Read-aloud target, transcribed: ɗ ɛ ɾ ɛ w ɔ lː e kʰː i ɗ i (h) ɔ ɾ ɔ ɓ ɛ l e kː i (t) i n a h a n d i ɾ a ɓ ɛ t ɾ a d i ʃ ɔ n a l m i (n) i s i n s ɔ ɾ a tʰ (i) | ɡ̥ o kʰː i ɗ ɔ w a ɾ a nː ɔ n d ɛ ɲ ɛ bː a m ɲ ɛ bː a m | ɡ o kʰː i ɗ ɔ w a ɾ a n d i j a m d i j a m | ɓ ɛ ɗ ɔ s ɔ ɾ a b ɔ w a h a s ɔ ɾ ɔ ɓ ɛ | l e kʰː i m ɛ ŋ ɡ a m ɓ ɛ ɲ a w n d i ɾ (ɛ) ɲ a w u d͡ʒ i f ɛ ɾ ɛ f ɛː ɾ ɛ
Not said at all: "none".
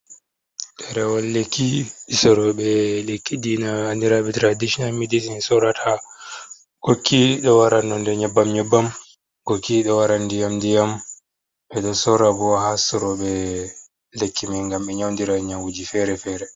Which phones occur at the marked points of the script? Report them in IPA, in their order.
s, d, d, a, a

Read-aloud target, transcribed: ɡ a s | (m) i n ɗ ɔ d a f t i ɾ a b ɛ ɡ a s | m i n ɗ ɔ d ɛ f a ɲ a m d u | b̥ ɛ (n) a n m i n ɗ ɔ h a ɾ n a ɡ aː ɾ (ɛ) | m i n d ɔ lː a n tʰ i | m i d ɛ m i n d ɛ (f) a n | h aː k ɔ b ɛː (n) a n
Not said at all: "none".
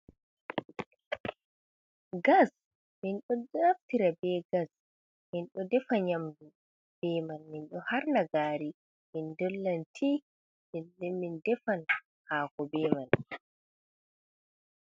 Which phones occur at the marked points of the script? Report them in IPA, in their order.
m, m, i, f, m

